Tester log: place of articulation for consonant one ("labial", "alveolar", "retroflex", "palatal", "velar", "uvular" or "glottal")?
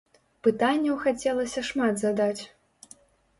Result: labial